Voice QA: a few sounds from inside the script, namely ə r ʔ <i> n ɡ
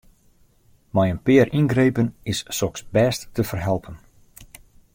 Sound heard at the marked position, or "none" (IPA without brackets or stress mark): i